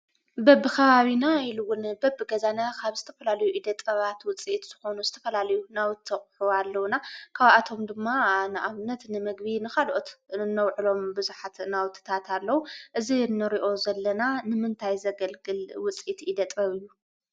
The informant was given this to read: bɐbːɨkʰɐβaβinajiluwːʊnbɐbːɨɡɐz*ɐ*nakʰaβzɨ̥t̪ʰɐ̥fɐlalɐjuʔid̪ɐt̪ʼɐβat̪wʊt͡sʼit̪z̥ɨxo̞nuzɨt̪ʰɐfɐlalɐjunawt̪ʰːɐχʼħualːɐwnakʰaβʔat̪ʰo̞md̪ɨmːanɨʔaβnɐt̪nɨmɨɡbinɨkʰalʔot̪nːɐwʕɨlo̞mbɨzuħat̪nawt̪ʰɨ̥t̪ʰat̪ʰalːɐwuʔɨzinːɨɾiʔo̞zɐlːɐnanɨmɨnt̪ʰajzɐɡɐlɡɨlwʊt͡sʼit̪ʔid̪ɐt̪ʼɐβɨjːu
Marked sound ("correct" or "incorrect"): incorrect